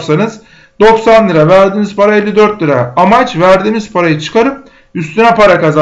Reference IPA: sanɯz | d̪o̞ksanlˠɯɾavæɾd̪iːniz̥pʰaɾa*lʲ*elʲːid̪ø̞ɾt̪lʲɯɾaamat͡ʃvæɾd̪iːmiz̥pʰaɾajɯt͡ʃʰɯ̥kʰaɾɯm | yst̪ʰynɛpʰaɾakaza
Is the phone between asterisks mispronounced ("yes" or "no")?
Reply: yes